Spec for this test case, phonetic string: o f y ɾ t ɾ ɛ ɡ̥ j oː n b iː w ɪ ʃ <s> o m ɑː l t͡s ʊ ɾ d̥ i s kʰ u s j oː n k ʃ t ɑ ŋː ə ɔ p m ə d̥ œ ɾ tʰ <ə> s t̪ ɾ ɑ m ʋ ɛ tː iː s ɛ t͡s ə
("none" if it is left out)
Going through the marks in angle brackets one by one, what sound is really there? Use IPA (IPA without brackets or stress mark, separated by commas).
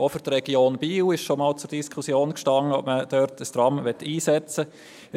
ʃ, ə